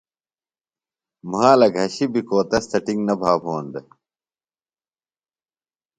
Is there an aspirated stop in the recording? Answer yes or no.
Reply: no